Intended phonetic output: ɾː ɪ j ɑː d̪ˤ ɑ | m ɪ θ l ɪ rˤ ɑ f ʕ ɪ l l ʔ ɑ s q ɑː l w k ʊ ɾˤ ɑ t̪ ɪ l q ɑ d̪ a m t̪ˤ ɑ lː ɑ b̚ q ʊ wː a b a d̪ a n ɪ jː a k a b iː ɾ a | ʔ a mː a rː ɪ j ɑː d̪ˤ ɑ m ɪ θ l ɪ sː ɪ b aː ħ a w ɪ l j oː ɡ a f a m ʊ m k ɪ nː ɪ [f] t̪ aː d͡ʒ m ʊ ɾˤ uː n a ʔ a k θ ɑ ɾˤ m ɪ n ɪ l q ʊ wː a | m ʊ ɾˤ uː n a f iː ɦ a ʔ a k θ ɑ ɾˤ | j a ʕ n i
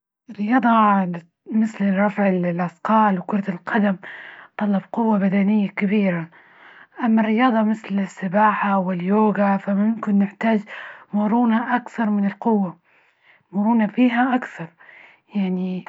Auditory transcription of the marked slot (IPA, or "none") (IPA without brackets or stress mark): ħ